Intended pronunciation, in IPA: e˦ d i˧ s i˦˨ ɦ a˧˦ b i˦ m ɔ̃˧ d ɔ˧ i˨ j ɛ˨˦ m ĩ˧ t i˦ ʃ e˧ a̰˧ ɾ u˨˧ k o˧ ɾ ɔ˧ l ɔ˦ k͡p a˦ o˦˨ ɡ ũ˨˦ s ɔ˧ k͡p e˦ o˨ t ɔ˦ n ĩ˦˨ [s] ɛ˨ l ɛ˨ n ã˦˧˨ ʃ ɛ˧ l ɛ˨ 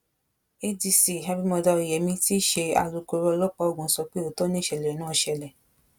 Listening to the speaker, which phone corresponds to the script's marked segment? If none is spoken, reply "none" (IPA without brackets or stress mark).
ʃ